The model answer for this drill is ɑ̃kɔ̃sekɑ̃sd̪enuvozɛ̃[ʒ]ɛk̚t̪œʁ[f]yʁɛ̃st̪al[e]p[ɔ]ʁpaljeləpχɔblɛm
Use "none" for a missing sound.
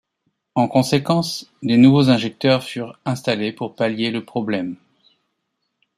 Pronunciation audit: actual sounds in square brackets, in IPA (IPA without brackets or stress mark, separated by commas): ʒ, f, e, u